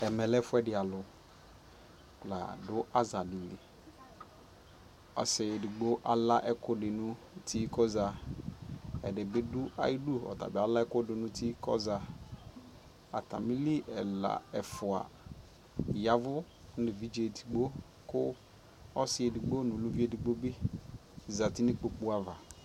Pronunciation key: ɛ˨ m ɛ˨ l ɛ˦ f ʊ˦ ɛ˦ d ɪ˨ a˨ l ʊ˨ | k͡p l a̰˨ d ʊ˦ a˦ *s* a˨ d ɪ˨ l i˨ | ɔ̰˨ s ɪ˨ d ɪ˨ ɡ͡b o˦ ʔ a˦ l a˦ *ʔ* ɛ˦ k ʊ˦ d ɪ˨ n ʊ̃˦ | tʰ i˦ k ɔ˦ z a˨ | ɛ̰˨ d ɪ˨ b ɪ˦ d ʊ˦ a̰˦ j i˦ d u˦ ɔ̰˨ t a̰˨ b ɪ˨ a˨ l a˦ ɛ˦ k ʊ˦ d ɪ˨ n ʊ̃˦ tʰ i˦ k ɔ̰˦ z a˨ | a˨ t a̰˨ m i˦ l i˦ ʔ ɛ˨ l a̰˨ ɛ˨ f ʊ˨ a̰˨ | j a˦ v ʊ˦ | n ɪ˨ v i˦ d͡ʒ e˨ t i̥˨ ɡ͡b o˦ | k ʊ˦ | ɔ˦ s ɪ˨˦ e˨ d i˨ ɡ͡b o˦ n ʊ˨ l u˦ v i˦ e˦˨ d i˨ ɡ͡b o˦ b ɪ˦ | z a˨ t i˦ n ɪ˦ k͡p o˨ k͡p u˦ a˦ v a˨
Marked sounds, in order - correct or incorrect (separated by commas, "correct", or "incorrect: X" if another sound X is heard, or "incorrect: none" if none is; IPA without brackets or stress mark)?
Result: incorrect: z, correct